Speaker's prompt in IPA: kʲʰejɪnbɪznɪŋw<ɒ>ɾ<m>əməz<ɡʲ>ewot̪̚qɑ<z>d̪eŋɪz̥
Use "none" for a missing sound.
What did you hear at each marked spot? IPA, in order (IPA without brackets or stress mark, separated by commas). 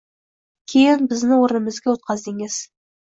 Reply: o, n, ɡʲ, z